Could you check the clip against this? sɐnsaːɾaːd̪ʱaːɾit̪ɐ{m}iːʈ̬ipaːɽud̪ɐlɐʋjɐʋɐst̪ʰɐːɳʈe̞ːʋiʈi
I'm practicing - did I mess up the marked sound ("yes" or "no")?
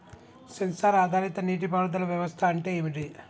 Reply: yes